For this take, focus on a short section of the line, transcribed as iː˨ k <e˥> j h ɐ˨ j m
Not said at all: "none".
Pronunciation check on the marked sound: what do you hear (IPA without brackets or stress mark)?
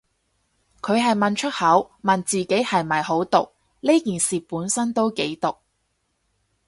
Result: e˨˥